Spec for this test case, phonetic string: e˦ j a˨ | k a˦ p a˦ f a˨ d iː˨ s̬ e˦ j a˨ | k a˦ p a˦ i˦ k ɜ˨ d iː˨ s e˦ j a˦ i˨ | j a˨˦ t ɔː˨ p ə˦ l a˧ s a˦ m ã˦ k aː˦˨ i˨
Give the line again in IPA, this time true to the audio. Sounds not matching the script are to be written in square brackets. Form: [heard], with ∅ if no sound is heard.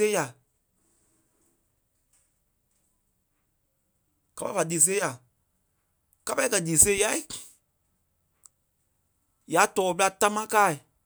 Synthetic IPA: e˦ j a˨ | k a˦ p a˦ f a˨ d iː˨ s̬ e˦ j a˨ | k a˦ p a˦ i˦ k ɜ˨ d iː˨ s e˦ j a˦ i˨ | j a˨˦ t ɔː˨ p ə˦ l a˧ [t] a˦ m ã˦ k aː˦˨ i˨